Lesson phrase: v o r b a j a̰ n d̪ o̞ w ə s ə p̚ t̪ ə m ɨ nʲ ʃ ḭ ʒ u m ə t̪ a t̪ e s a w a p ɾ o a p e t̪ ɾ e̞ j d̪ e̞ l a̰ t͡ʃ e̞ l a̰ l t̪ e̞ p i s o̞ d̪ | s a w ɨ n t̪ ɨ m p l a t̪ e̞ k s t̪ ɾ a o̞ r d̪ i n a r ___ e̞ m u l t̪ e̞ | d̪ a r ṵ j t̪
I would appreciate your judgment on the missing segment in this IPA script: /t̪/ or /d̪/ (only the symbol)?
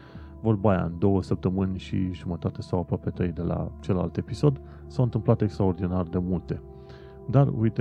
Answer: d̪